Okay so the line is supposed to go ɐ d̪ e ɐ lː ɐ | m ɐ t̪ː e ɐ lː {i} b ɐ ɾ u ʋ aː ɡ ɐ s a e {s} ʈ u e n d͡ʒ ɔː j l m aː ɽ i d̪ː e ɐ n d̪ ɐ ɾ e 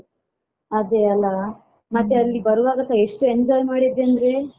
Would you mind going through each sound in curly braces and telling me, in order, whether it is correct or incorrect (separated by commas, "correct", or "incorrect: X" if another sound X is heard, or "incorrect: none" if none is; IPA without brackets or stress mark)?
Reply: correct, incorrect: ʂ